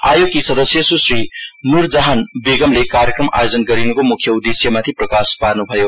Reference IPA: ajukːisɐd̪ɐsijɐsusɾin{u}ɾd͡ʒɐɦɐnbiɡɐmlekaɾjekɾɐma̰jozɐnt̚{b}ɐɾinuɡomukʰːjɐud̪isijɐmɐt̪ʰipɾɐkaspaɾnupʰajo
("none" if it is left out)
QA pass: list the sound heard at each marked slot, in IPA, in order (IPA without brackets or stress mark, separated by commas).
u, ɡ